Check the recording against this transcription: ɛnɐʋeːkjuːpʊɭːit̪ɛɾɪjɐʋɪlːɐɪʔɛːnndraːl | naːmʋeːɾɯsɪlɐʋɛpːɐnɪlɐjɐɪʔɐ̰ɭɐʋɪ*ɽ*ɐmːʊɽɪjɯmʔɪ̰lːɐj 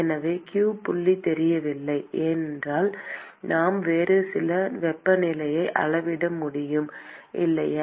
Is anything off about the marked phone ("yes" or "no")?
no